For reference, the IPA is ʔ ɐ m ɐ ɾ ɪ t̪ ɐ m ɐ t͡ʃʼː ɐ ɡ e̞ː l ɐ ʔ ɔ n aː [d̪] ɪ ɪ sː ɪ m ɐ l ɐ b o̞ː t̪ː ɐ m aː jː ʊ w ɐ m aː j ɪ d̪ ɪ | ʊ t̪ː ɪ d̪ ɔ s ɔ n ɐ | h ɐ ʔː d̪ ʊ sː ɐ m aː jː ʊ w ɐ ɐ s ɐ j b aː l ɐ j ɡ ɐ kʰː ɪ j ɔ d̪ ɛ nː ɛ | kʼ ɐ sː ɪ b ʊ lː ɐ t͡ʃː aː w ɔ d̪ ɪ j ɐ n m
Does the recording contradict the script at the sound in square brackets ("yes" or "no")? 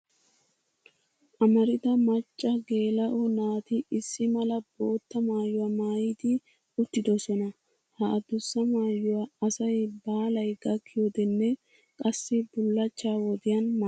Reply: yes